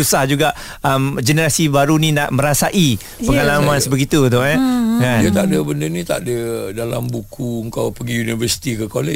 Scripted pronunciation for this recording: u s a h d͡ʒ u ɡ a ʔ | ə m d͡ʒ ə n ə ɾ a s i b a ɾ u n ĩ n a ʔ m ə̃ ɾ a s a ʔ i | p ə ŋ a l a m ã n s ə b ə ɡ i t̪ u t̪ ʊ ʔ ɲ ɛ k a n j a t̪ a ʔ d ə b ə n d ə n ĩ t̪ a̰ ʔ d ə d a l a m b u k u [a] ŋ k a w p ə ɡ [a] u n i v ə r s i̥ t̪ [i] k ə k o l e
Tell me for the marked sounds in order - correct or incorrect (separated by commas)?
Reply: incorrect, incorrect, correct